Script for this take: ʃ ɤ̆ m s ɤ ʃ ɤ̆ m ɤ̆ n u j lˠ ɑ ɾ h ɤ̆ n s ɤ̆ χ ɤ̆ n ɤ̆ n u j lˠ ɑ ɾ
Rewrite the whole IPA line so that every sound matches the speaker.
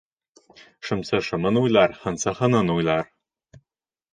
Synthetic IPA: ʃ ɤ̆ m s ɤ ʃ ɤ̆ m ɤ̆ n u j lˠ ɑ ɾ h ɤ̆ n s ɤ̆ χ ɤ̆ n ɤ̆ n u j lˠ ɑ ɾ